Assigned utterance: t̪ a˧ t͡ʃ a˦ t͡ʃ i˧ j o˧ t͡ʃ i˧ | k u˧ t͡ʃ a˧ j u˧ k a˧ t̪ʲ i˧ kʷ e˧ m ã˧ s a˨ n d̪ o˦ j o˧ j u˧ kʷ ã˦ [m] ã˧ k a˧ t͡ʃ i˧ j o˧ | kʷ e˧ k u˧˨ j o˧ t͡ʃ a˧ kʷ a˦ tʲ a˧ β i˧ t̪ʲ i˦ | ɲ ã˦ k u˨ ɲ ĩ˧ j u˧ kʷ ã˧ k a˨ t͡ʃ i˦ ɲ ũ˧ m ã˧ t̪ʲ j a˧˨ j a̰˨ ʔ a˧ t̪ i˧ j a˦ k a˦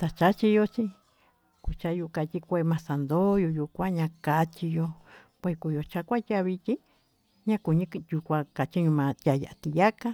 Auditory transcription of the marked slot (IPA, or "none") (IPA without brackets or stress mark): ɲ